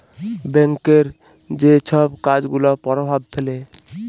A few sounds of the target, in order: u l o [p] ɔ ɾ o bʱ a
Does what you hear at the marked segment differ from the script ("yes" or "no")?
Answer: no